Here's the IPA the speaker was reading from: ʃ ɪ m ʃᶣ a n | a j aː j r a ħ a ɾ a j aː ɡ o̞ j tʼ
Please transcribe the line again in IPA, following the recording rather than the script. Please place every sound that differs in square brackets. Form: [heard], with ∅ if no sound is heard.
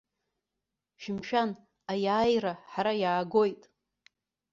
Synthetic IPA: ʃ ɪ m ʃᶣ a n | a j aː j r a ħ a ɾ a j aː ɡ o̞ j tʼ